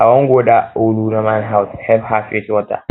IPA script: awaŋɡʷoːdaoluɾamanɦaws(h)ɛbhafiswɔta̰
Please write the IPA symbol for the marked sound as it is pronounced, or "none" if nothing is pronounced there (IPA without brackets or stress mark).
h